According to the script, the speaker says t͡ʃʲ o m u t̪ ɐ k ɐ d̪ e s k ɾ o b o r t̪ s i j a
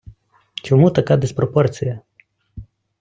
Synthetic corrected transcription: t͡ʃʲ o m u t̪ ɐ k a d̪ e s p ɾ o p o r t̪ s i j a